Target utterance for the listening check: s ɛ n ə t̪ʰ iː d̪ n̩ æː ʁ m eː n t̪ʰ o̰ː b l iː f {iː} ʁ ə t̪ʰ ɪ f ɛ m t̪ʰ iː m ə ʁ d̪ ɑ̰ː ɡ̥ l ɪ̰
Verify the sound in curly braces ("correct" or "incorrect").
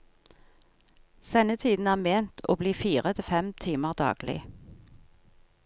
correct